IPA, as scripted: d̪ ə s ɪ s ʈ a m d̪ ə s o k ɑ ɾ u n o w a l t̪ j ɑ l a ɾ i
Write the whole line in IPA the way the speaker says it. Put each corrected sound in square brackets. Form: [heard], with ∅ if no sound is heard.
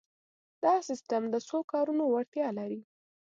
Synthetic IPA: d̪ [ɑ] s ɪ s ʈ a m d̪ ə s o k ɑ ɾ u n o w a [ɽ] t̪ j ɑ l a ɾ i

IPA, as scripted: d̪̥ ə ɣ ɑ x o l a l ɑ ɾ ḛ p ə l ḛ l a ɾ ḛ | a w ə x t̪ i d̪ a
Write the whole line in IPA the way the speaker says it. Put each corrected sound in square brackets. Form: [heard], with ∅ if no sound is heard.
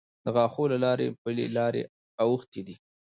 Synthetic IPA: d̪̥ ə ɣ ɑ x o l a l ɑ ɾ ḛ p ə l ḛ l [ɑ] ɾ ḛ | a w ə x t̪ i d̪ [i]

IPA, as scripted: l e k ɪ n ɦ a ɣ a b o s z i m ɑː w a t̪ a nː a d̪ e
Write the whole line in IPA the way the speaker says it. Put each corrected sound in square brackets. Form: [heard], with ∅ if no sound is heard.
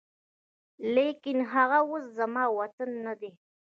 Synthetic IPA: l e k ɪ n ɦ a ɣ a [w] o s z [a] m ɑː w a t̪ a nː a d̪ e

